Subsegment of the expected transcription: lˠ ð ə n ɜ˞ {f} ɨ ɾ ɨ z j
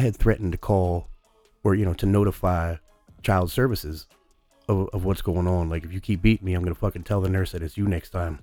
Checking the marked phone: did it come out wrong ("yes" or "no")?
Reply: yes